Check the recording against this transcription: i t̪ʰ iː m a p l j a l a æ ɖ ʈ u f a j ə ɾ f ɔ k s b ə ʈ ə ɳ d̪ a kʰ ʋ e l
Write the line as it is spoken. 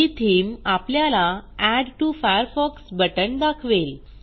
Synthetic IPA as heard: i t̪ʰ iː m a p l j a l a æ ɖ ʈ u f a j ə ɾ f ɔ k s b ə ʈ ə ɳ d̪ a kʰ ʋ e l